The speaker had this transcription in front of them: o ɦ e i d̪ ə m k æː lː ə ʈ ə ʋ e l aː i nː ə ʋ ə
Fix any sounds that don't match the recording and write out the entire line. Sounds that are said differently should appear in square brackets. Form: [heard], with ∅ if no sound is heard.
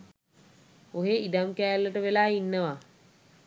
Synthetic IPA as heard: o ɦ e i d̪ [a] m k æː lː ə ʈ ə ʋ e l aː i nː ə ʋ [a]